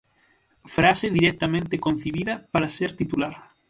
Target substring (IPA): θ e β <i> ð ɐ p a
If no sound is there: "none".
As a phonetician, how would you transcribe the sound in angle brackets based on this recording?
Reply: i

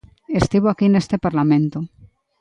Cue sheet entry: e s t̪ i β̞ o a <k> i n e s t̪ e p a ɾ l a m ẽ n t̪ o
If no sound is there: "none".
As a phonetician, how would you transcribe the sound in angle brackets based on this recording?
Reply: k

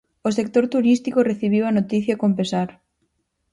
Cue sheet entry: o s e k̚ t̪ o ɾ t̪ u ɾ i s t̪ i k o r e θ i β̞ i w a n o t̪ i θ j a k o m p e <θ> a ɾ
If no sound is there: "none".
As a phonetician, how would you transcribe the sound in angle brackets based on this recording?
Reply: s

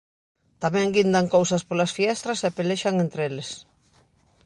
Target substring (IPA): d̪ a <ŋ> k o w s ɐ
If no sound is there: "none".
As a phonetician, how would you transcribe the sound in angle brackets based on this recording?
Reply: ŋ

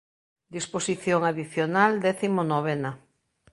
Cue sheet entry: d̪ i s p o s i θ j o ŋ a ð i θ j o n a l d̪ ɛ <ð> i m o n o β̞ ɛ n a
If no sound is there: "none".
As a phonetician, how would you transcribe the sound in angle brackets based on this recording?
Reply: θ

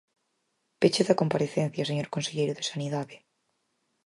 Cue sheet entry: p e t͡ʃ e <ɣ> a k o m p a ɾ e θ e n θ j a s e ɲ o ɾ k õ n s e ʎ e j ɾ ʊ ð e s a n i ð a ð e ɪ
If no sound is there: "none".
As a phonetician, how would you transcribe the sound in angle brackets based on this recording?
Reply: ð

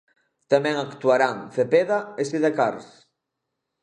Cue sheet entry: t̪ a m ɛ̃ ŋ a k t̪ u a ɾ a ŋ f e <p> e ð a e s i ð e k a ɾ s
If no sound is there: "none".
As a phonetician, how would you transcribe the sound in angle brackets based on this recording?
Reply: p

